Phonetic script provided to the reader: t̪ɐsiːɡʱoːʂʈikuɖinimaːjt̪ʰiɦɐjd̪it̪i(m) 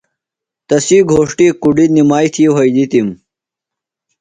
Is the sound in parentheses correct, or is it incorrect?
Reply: correct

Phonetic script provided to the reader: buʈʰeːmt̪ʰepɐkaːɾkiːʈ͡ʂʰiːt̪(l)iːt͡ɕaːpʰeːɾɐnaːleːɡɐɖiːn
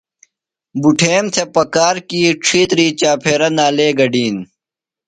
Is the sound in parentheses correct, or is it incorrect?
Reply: incorrect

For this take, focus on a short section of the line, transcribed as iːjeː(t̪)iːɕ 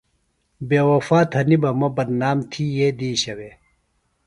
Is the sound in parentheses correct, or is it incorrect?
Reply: incorrect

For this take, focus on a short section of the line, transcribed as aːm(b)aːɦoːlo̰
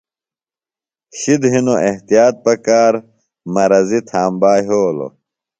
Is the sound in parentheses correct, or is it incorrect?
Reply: correct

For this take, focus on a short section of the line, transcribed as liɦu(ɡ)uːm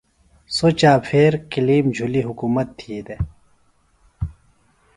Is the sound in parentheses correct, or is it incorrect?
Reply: incorrect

